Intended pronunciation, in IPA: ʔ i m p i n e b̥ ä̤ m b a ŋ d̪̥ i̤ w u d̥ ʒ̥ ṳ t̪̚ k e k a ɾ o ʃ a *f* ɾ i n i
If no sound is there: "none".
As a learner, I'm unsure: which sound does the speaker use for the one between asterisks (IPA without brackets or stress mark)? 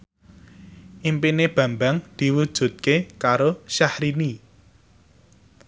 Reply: h